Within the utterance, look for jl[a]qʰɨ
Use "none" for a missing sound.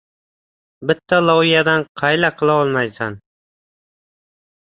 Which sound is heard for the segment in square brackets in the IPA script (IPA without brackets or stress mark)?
a